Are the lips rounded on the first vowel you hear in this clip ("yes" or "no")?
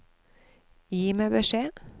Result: no